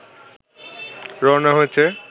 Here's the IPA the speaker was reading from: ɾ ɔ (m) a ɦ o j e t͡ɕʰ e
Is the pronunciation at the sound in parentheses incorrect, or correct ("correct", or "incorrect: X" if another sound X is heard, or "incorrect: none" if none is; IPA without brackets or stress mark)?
incorrect: n